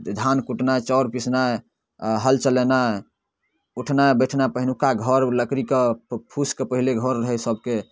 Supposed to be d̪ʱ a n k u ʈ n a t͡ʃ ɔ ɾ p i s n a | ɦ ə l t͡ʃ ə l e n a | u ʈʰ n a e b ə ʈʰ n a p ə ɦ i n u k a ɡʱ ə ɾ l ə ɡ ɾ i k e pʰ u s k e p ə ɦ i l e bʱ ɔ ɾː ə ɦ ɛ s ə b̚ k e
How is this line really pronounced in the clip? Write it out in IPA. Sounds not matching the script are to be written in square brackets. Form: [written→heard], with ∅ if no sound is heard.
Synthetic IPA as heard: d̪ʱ a n k u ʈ n a t͡ʃ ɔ ɾ p i s n a | ɦ ə l t͡ʃ ə l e n a | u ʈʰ n a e b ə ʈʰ n a p ə ɦ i n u k a ɡʱ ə ɾ l ə [ɡ→k] ɾ i k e pʰ u s k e p ə ɦ i l e [bʱ→ɡʱ] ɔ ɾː ə ɦ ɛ s ə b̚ k e

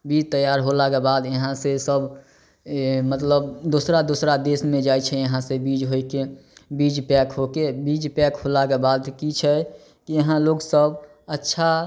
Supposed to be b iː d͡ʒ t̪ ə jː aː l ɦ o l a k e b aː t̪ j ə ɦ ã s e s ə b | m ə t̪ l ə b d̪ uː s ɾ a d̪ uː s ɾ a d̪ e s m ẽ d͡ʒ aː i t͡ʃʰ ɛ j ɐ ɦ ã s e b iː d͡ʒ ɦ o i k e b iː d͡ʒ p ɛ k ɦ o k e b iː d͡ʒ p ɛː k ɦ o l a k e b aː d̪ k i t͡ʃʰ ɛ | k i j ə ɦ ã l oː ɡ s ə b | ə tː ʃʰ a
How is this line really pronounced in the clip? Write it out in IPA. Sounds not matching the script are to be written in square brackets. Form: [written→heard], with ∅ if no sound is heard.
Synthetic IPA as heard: b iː d͡ʒ t̪ ə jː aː [l→ɾ] ɦ o l a k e b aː [t̪→d̪] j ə ɦ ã s e s ə b | m ə t̪ l ə b d̪ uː s ɾ a d̪ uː s ɾ a d̪ e s m ẽ d͡ʒ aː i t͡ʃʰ ɛ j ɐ ɦ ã s e b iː d͡ʒ ɦ o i k e b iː d͡ʒ p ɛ k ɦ o k e b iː d͡ʒ p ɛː k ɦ o l a k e b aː d̪ k i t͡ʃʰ ɛ | k i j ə ɦ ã l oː ɡ s ə b | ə tː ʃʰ a

